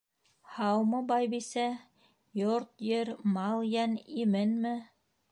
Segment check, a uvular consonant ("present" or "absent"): absent